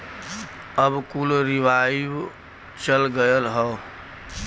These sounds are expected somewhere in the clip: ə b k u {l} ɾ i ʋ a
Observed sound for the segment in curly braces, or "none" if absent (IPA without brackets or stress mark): l